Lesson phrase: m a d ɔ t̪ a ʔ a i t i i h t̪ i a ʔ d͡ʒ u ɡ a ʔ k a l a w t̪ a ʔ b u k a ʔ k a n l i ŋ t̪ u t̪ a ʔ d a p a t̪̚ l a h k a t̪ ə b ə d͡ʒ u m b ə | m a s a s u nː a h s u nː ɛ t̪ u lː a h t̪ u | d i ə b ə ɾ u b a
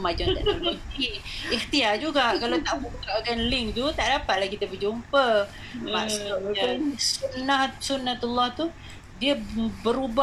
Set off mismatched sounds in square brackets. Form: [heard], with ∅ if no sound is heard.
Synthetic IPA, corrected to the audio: m a [d͡ʒ] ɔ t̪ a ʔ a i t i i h t̪ i a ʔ d͡ʒ u ɡ a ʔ k a l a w t̪ a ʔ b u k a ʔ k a n l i ŋ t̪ u t̪ a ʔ d a p a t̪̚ l a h k [i] t̪ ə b ə d͡ʒ u m [p] ə | m a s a s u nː a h s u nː [a] t̪ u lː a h t̪ u | d i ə b ə ɾ u b a